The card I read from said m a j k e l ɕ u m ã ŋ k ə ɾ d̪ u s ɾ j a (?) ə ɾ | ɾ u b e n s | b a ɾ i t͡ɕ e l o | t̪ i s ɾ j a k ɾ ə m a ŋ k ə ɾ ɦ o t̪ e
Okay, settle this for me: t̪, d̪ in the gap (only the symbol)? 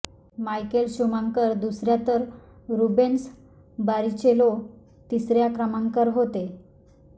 t̪